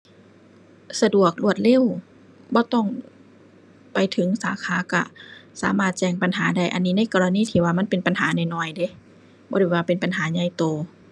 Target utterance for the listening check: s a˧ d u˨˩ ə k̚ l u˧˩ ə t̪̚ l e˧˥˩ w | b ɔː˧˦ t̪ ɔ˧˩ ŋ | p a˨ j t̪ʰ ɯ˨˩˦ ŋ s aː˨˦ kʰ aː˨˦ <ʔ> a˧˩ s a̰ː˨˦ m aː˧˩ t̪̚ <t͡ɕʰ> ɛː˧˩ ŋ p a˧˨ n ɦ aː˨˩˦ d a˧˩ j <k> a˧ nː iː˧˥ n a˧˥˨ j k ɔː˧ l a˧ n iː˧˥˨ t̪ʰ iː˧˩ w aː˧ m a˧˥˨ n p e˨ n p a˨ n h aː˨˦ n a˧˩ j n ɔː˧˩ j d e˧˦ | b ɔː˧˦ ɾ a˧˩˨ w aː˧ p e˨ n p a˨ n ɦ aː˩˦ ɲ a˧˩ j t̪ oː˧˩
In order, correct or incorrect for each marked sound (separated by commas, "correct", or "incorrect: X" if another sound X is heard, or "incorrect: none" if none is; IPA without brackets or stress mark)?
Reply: incorrect: k, incorrect: t͡ɕ, incorrect: ʔ